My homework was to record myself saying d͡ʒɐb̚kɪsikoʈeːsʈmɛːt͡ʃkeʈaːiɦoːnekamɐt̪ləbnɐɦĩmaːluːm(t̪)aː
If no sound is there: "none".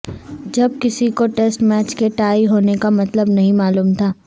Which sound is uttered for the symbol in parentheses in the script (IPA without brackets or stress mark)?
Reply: t̪ʰ